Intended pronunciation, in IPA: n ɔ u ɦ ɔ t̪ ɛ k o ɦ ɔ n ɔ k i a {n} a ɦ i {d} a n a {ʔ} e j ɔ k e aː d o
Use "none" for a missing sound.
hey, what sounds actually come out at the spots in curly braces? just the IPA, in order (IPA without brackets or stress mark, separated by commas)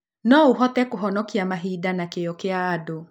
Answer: m, d, k